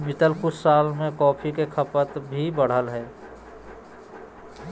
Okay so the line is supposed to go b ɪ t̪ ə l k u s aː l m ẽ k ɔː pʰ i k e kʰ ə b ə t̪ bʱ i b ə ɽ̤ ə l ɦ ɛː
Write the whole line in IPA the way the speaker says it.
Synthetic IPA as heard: m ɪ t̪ ə l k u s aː l m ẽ k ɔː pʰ i k e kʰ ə p ə t̪ bʱ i b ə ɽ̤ ə l ɦ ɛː